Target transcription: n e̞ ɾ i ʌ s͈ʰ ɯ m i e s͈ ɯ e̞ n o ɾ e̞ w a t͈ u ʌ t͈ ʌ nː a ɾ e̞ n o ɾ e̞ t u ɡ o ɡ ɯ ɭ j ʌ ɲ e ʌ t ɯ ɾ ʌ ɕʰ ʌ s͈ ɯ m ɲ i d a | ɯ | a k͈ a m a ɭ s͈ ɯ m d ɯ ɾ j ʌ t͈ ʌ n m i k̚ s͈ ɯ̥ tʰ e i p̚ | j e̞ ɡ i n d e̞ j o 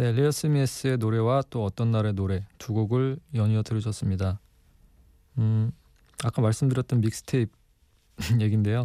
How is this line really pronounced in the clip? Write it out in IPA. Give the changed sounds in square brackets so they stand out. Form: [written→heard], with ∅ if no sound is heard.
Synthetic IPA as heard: n e̞ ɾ i ʌ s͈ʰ ɯ m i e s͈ ɯ e̞ n o ɾ e̞ w a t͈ [u→o] ʌ t͈ ʌ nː a ɾ e̞ n o ɾ e̞ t u ɡ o ɡ ɯ ɭ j ʌ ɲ [e→i] ʌ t ɯ ɾ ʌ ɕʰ ʌ s͈ ɯ m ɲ i d a | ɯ | a k͈ a m a ɭ s͈ ɯ m d ɯ ɾ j ʌ t͈ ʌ n m i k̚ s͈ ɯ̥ tʰ e i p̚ | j e̞ ɡ i n d e̞ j o